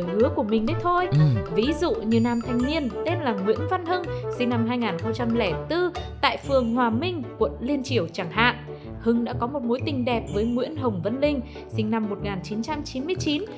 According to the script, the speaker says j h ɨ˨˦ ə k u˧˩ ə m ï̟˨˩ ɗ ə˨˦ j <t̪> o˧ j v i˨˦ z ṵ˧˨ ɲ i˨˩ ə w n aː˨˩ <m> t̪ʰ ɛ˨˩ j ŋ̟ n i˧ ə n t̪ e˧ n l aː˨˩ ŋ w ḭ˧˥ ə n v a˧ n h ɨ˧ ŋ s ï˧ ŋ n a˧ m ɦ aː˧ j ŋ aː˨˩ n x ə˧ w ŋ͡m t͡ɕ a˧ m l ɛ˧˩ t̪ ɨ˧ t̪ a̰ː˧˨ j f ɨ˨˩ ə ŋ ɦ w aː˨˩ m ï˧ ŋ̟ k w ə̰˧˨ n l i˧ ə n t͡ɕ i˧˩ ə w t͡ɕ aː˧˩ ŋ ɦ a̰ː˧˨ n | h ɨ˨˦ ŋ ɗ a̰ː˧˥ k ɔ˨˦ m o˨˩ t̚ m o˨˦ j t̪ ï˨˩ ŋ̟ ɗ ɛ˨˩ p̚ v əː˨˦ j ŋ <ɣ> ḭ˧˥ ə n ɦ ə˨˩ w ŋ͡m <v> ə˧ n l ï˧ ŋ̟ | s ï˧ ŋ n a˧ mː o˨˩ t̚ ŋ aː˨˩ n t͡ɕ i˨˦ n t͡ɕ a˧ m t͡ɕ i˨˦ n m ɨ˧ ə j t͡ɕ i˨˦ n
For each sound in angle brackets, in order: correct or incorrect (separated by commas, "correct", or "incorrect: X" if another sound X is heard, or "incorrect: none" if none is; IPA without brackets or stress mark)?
incorrect: t̪ʰ, correct, incorrect: w, correct